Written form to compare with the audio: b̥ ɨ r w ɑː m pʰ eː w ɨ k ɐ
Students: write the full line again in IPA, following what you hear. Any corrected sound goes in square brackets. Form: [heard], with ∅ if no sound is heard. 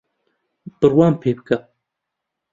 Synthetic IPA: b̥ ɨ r w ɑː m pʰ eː [b] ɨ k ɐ